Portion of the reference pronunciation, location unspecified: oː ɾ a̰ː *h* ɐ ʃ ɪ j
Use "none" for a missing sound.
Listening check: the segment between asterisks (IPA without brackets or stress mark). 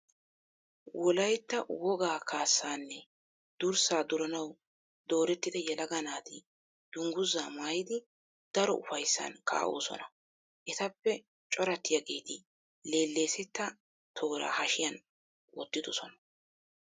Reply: h